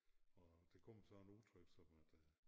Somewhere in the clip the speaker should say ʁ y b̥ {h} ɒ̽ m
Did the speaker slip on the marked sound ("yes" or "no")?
yes